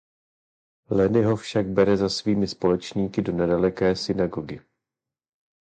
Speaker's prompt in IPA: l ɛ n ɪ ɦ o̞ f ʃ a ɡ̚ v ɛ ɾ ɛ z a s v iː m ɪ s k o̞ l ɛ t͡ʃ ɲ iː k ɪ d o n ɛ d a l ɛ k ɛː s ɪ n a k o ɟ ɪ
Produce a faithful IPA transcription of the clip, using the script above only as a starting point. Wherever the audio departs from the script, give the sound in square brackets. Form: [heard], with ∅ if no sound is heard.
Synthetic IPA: l ɛ n ɪ ɦ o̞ f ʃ a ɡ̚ [b] ɛ ɾ ɛ z a s v iː m ɪ s [p] o̞ l ɛ t͡ʃ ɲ iː k ɪ d o n ɛ d a l ɛ k ɛː s ɪ n a [ɡ] o [ɡ] ɪ